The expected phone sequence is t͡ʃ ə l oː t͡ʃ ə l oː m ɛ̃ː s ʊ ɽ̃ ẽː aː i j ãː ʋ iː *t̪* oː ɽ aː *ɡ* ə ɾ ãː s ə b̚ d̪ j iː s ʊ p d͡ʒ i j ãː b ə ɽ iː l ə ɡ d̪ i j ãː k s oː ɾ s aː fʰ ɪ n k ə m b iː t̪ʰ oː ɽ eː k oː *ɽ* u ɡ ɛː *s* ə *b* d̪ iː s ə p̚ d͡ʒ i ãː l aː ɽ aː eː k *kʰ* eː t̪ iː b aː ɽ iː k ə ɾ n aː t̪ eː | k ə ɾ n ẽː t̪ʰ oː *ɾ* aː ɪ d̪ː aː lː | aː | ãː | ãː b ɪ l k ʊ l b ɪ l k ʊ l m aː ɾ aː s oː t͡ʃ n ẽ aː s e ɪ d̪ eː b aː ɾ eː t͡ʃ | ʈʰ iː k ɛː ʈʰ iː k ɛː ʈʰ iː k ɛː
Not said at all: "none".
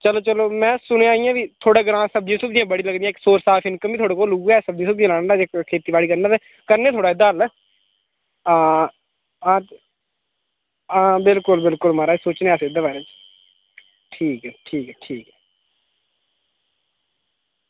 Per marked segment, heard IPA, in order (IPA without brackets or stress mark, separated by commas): t̪ʰ, ɡ, l, s, b, kʰ, ɽ